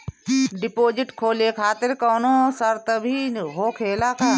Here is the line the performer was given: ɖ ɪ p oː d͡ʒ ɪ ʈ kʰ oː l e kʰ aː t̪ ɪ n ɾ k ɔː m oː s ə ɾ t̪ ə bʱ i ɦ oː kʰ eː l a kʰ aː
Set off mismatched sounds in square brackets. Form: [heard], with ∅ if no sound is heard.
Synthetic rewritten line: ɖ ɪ p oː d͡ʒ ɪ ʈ kʰ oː l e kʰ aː t̪ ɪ [∅] ɾ k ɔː [n] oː s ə ɾ t̪ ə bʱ i ɦ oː kʰ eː l a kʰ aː